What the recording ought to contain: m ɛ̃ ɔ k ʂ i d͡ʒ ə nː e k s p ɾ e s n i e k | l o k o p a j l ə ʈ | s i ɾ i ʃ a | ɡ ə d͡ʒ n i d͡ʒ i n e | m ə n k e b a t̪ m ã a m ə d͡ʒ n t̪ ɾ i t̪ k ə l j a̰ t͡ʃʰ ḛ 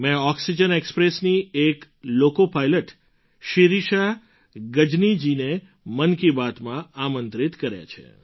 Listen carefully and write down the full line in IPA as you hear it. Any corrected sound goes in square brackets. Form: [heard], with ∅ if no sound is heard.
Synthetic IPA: m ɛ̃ ɔ k [s] i d͡ʒ ə [n] e k s p ɾ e s n i e k | l o k o p a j l ə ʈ | [ʃ] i ɾ i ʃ a | ɡ ə d͡ʒ n i d͡ʒ i n e | m ə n k [i] b a t̪ m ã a m ə [∅] n t̪ ɾ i t̪ k ə [ɾ] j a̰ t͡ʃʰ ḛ

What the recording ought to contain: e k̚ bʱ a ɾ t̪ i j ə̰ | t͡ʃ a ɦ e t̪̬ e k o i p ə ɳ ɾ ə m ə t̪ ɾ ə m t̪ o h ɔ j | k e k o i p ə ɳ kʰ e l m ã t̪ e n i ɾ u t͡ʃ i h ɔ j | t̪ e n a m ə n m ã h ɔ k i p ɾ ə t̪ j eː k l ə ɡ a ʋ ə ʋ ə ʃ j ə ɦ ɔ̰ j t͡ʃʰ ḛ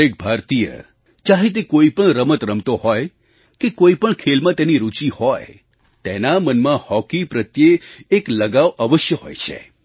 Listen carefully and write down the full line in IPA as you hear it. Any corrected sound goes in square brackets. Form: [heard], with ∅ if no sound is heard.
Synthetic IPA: e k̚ bʱ a ɾ t̪ i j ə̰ | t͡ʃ a ɦ e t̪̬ e k o i p ə ɳ ɾ ə m ə t̪ ɾ ə m t̪ o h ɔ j | k e k o i p ə ɳ kʰ e l m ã t̪ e n i ɾ u t͡ʃ i h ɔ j | t̪ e n a m ə n m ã h ɔ k i p ɾ ə t̪ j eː k l ə ɡ a ʋ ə ʋ ə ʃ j ə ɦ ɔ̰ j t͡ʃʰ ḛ

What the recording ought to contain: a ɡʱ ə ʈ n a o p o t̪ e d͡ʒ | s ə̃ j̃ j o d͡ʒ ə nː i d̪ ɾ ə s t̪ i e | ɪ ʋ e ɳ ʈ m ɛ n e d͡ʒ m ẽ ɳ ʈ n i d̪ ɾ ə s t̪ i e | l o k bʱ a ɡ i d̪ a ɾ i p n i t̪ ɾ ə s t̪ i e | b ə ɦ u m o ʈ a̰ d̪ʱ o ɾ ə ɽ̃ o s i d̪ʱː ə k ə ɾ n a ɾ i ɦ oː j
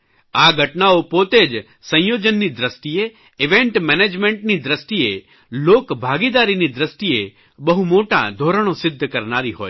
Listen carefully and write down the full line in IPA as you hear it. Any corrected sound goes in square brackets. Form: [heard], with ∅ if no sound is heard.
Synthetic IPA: a ɡʱ ə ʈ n a o p o t̪ e d͡ʒ | s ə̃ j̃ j o d͡ʒ ə nː i d̪ ɾ ə s t̪ i e | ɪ ʋ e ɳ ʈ m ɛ n e d͡ʒ m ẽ ɳ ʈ n i d̪ ɾ ə s t̪ i e | l o k bʱ a ɡ i d̪ a ɾ i [∅] n i [d̪] ɾ ə s t̪ i e | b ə ɦ u m o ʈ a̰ d̪ʱ o ɾ ə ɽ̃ o s [ɪ] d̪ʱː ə k ə ɾ n a ɾ i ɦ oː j

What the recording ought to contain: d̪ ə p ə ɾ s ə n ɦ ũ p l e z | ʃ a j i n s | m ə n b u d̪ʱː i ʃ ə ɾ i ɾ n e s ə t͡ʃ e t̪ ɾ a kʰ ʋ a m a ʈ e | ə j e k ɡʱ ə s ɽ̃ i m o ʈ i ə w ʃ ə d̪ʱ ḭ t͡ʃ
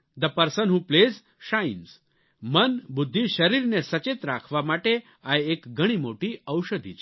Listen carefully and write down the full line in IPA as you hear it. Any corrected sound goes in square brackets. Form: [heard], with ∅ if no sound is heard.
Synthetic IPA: d̪ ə p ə ɾ s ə n ɦ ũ p l e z | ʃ a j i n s | m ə n b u d̪ʱː i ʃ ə ɾ i ɾ n e s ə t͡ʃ e t̪ ɾ a kʰ ʋ a m a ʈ e | [a] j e k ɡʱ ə [∅] ɽ̃ i m o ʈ i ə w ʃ ə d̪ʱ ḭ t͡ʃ

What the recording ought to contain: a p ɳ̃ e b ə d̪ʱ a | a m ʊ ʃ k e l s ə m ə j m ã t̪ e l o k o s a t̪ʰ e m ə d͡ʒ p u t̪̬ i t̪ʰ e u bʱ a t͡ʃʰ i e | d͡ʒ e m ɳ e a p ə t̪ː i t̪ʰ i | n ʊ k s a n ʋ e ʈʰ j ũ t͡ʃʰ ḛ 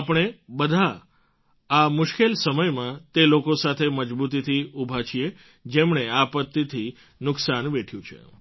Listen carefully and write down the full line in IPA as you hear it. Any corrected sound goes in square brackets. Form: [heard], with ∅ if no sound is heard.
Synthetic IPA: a p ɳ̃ e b ə d̪ʱ a | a m ʊ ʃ k e l s ə m ə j m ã t̪ e l o k o s a t̪ʰ e m ə d͡ʒ [b] u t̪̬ i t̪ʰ [i] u bʱ a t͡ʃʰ i e | d͡ʒ e m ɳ e a p ə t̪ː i t̪ʰ i | n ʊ k s a n ʋ e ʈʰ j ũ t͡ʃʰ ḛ

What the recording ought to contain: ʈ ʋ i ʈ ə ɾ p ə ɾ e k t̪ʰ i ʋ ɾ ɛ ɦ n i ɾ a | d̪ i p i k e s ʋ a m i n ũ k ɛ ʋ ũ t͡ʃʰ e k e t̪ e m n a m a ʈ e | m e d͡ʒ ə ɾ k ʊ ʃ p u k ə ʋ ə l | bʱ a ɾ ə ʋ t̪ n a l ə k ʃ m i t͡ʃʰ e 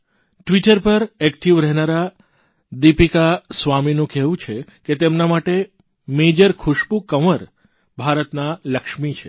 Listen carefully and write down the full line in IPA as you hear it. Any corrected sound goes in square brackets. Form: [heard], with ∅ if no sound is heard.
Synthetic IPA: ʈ ʋ i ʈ ə ɾ p ə ɾ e k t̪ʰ i ʋ ɾ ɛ ɦ n [a] ɾ a | d̪ i p i k [a] s ʋ a m i n ũ k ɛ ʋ ũ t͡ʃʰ e k e t̪ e m n a m a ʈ e | m e d͡ʒ ə ɾ [kʰ] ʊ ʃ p u k ə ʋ ə [ɾ] | bʱ a ɾ ə [∅] t̪ n a l ə k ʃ m i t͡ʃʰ e

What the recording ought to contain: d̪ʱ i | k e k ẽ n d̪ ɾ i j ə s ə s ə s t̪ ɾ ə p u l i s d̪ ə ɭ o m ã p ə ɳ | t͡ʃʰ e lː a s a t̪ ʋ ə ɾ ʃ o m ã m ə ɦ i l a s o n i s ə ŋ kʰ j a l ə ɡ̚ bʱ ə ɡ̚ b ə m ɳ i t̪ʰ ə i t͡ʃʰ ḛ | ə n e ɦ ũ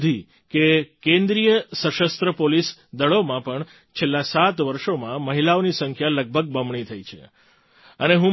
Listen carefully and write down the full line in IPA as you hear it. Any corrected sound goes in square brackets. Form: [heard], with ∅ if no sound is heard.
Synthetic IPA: d̪ʱ i | k e k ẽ n d̪ ɾ i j ə s ə [ʃ] ə s t̪ ɾ ə p [o] l i s d̪ ə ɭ o m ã p ə ɳ | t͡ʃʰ e lː a s a t̪ ʋ ə ɾ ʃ o m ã m ə ɦ i l a [∅] o n i s ə ŋ kʰ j a l ə ɡ̚ bʱ ə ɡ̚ b ə m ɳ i t̪ʰ ə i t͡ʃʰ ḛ | ə n e ɦ ũ

